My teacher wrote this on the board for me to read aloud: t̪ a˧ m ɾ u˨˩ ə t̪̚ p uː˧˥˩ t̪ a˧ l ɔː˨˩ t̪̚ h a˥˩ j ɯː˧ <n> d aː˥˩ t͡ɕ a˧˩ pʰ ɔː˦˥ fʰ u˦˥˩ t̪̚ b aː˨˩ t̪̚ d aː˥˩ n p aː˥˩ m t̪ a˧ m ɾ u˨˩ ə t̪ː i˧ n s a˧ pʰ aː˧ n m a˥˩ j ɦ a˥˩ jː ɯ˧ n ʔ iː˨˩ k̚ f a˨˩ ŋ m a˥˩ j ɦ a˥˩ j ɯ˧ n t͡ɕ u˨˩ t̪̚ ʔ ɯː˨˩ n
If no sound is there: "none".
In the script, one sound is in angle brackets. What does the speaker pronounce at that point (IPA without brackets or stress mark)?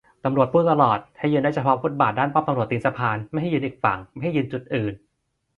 n